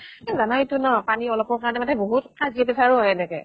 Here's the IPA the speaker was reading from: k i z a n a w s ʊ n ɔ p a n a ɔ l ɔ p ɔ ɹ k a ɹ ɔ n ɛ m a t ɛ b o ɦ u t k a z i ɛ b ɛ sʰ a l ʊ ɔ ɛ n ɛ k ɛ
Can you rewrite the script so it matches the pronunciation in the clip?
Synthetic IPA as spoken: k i z a n a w t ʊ n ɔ p a n i ɔ l ɔ p ɔ ɹ k a ɹ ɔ n ɛ m a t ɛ b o ɦ u t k a z i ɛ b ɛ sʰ a ɹ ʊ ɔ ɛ n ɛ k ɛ